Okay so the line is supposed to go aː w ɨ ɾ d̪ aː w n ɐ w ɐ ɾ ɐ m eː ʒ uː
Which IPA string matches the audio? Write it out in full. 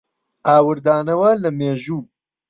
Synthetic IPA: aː w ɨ ɾ d̪ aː n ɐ w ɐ l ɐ m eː ʒ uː